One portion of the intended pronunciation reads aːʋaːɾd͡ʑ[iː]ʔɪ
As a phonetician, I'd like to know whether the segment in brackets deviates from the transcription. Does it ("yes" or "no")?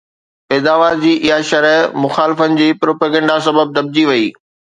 no